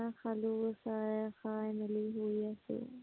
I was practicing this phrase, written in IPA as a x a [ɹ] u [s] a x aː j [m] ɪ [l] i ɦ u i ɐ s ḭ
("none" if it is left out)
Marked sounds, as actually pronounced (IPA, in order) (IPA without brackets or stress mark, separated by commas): l, s, m, l